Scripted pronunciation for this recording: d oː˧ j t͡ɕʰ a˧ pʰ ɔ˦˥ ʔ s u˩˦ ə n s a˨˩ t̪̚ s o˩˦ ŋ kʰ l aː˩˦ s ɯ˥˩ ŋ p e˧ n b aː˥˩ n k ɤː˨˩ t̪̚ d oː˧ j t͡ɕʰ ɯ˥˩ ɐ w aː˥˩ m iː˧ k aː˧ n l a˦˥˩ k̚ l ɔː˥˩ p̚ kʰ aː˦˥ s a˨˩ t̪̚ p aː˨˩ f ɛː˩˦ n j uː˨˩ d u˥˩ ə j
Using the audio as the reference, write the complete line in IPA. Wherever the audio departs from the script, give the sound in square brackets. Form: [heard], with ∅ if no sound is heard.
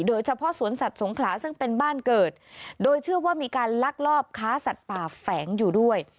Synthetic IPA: d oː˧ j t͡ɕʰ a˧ pʰ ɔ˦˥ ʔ s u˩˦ ə n s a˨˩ t̪̚ s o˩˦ ŋ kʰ l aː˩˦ s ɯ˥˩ ŋ p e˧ n b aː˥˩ n k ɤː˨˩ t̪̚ d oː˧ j t͡ɕʰ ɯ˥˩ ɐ w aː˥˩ m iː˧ k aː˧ n l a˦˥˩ k̚ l ɔː˥˩ p̚ kʰ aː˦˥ s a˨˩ t̪̚ p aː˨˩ f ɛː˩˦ [ŋ] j uː˨˩ d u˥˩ ə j